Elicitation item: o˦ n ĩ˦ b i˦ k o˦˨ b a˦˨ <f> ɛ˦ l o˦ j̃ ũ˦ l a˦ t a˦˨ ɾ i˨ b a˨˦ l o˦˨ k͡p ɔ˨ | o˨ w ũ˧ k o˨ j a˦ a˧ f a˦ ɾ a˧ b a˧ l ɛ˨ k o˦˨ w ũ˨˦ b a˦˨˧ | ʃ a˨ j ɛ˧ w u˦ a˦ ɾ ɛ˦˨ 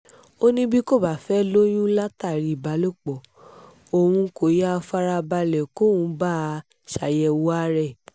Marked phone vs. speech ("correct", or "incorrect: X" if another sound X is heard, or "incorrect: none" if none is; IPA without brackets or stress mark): correct